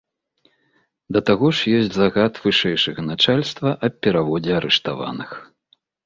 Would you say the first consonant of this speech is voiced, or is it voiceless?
voiced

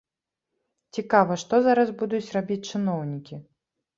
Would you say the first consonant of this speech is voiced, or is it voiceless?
voiceless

